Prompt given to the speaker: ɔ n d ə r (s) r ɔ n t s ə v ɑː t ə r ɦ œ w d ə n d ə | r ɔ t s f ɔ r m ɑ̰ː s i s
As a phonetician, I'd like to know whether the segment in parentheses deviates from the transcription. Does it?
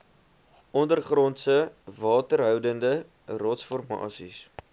yes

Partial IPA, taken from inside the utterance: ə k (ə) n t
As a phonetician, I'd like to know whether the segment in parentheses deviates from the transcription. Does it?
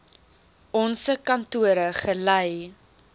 yes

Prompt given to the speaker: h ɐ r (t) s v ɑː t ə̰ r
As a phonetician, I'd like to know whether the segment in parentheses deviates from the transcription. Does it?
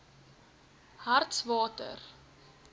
no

